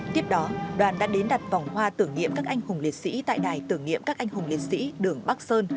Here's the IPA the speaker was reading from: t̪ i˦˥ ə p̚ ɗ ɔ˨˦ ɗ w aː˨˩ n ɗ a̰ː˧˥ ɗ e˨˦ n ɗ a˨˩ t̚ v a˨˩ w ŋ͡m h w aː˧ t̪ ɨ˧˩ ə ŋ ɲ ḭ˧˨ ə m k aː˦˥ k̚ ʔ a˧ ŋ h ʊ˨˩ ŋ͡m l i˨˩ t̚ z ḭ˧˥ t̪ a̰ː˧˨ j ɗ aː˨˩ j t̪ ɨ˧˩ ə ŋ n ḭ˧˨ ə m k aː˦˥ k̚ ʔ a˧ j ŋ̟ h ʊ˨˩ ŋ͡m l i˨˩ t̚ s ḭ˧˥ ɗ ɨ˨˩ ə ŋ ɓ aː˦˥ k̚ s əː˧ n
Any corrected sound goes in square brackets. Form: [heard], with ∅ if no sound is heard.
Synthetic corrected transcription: t̪ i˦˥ ə p̚ ɗ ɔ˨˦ ɗ w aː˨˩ n ɗ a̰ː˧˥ ɗ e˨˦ n ɗ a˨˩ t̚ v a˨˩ w ŋ͡m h w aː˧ t̪ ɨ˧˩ ə ŋ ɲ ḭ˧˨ ə m k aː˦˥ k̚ ʔ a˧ ŋ h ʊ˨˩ ŋ͡m l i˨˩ t̚ [s] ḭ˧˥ t̪ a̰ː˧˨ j ɗ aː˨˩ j t̪ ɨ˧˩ ə ŋ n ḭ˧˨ ə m k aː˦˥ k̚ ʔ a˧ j ŋ̟ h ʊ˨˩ ŋ͡m l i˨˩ t̚ s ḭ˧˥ ɗ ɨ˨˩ ə ŋ ɓ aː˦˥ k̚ s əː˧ n